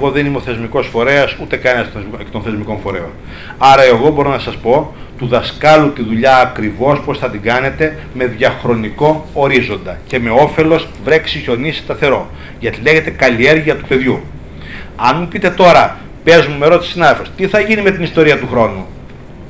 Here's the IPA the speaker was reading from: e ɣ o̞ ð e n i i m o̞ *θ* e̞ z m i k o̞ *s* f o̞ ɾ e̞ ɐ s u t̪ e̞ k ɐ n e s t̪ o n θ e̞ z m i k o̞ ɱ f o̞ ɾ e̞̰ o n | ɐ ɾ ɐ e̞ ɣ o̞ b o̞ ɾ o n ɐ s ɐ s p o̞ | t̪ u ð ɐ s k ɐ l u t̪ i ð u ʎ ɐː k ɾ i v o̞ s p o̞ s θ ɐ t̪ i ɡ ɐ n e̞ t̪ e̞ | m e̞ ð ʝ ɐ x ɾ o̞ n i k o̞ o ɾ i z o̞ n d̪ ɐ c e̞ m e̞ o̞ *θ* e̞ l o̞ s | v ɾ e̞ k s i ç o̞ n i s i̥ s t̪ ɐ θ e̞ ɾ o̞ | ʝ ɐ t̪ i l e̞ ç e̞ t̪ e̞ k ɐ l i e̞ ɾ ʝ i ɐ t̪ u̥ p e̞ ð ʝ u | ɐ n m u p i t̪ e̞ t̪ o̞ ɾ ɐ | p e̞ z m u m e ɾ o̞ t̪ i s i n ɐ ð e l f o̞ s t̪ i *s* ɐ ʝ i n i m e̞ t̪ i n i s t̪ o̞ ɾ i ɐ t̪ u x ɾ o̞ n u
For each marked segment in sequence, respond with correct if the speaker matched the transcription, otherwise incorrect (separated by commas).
correct, correct, incorrect, incorrect